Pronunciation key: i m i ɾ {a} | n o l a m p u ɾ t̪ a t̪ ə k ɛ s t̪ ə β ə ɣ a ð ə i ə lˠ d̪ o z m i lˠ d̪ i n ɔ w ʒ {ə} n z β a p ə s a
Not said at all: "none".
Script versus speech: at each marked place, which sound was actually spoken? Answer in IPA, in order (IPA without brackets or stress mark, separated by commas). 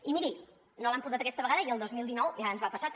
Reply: i, a